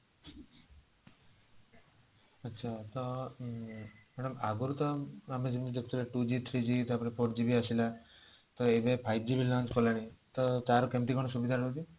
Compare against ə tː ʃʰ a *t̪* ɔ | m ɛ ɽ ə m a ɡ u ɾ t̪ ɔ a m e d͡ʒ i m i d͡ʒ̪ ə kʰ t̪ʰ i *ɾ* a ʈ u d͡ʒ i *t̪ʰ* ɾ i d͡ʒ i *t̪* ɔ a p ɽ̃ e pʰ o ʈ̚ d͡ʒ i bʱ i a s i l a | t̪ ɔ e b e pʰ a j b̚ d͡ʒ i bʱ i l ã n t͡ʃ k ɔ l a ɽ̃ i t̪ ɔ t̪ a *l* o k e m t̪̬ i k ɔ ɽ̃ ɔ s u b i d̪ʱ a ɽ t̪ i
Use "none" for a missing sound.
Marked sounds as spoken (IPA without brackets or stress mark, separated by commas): t̪, l, t̪ʰ, t̪, ɾ